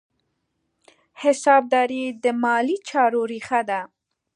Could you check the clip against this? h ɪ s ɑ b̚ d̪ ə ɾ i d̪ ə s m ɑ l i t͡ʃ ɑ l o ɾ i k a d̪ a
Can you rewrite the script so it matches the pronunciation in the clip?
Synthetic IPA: h ɪ s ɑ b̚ d̪ ɑ ɾ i d̪ ə m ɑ l i t͡ʃ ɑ ɾ o ɾ i x a d̪ a